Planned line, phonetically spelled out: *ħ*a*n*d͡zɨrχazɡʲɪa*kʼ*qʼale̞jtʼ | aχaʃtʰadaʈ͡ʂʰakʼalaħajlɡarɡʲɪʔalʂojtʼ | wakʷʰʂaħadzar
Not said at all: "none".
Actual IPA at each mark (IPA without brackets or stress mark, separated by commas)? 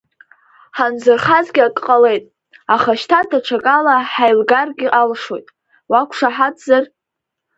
ħ, n, kʼ